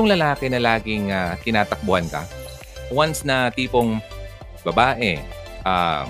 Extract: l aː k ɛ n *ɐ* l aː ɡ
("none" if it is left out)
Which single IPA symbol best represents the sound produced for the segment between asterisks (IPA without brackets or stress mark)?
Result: ɐ